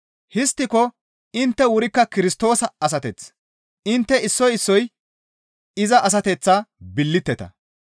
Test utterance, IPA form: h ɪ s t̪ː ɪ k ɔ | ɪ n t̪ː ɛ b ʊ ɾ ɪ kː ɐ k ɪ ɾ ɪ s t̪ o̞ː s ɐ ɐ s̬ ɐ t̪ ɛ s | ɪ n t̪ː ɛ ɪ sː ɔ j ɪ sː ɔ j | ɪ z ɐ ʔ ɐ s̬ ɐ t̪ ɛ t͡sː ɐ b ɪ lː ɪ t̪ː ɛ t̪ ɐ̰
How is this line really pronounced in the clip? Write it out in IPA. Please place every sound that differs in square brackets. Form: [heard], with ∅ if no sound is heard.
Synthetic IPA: h ɪ s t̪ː ɪ k ɔ | ɪ n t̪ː ɛ [w] ʊ ɾ ɪ kː ɐ k ɪ ɾ ɪ s t̪ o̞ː s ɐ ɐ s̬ ɐ t̪ ɛ [t͡s] | ɪ n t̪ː ɛ ɪ sː ɔ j ɪ sː ɔ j | ɪ z ɐ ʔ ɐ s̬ ɐ t̪ ɛ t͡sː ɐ b ɪ lː ɪ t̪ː ɛ t̪ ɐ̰

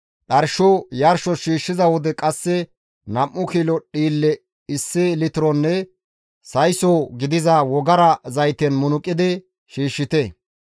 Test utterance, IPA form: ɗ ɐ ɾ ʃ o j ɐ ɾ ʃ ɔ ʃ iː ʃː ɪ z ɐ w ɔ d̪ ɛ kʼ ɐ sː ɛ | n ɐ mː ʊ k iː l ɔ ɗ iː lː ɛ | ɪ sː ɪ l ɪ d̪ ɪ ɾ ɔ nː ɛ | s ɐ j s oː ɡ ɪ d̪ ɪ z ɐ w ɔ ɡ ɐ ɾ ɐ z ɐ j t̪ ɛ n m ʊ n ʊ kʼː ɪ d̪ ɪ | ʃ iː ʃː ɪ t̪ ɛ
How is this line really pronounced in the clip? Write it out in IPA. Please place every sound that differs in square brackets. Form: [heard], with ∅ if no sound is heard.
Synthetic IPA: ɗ ɐ ɾ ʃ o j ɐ ɾ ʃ ɔ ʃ iː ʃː ɪ z ɐ w ɔ d̪ ɛ kʼ ɐ sː ɛ | n ɐ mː ʊ k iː l ɔ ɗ iː lː ɛ | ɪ sː ɪ l ɪ [t̪] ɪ ɾ ɔ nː ɛ | s ɐ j s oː ɡ ɪ d̪ ɪ z ɐ w ɔ ɡ ɐ ɾ ɐ z ɐ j t̪ ɛ n m ʊ n ʊ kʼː ɪ d̪ ɪ | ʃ iː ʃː ɪ t̪ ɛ

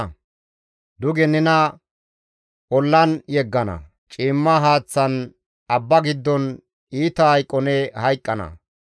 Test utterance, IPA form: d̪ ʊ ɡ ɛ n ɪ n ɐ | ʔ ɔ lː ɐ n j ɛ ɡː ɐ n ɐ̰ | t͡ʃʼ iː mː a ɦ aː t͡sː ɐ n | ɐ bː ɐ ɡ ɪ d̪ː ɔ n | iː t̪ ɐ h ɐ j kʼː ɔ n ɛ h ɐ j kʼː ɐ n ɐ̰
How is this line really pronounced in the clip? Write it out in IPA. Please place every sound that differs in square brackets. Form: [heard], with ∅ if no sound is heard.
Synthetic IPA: d̪ ʊ ɡ ɛ n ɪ n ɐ | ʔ ɔ lː ɐ n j ɛ ɡː ɐ n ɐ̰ | t͡ʃʼ iː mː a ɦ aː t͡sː ɐ n | ɐ bː ɐ ɡ ɪ d̪ː ɔ n | iː t̪ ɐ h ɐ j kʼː ɔ n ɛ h ɐ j kʼː ɐ n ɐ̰

